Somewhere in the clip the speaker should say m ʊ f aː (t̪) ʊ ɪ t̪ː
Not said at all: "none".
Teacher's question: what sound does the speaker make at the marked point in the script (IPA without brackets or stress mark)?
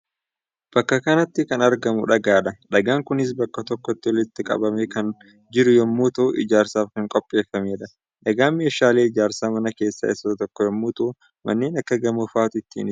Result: t̪